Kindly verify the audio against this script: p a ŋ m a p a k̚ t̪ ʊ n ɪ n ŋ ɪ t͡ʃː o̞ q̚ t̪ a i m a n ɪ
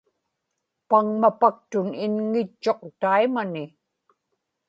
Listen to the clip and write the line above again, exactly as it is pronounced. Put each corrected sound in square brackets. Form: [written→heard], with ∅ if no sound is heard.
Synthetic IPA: p a ŋ m a p a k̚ t̪ ʊ n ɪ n ŋ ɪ t͡ʃː o̞ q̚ t̪ a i m a n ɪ